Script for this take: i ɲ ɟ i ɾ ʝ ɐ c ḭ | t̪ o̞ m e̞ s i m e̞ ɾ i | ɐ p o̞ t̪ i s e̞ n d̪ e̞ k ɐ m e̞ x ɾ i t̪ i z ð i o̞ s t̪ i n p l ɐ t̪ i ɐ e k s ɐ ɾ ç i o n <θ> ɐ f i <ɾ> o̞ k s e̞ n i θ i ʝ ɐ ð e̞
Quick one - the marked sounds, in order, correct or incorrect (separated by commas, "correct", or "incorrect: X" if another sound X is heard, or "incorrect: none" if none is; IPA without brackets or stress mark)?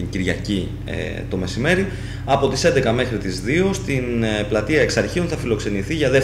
correct, incorrect: l